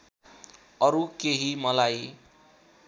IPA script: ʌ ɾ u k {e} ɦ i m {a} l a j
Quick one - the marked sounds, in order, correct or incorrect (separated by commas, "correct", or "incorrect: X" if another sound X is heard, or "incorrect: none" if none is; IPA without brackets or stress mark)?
correct, incorrect: ʌ